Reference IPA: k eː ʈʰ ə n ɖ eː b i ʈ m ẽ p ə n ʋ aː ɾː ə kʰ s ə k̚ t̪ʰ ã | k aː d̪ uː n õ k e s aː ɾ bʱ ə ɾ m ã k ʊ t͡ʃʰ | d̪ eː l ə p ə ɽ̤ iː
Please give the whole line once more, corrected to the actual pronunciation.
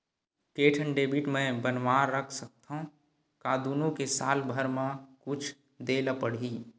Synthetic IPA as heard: k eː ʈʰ ə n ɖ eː b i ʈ m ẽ b ə n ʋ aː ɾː ə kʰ s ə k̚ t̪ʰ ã | k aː d̪ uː n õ k e s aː l bʱ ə ɾ m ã k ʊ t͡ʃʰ | d̪ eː l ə p ə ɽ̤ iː